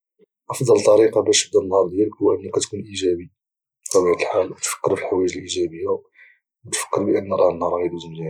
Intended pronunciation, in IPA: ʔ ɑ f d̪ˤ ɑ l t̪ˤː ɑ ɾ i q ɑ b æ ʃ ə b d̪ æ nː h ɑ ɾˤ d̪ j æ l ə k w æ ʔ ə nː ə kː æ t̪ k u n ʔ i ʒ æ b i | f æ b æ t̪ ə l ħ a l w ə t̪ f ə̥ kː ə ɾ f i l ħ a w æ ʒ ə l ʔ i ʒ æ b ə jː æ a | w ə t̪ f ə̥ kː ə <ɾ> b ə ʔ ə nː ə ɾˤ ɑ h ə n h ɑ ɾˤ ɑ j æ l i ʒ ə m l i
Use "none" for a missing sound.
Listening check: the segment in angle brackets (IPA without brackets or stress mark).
ɾ